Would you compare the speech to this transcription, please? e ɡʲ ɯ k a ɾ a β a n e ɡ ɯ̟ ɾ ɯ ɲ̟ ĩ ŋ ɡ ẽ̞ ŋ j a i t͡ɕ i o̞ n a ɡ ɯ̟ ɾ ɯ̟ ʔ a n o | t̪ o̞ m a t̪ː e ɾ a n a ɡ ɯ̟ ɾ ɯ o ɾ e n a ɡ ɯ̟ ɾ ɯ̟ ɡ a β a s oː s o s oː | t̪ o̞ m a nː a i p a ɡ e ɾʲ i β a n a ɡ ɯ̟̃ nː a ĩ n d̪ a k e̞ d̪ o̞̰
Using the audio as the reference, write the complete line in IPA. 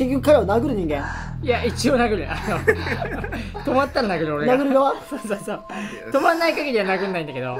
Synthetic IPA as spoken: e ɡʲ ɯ k a ɾ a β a n a ɡ ɯ̟ ɾ ɯ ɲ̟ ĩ ŋ ɡ ẽ̞ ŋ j a i t͡ɕ i o̞ n a ɡ ɯ̟ ɾ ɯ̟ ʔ a n o | t̪ o̞ m a t̪ː a ɾ a n a ɡ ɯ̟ ɾ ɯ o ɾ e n a ɡ ɯ̟ ɾ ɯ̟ ɡ a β a s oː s o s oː | t̪ o̞ m a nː a i k a ɡ e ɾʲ i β a n a ɡ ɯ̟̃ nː a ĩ n d̪ a k e̞ d̪ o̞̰